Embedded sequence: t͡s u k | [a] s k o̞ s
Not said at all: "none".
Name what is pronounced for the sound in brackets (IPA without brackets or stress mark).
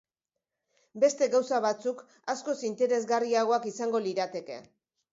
a